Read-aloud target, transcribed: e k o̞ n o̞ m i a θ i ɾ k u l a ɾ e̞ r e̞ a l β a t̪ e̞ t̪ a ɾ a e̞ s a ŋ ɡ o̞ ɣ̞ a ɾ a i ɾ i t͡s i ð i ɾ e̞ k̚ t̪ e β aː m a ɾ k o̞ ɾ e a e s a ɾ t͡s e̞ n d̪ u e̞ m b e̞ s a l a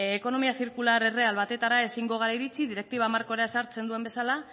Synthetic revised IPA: e k o̞ n o̞ m i a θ i ɾ k u l a ɾ e̞ r e̞ a l β a t̪ e̞ t̪ a ɾ a e̞ s i ŋ ɡ o̞ ɣ̞ a ɾ a i ɾ i t͡s i ð i ɾ e̞ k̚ t̪ i β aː m a ɾ k o̞ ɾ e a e s a ɾ t͡s e̞ n d̪ u e̞ m b e̞ s a l a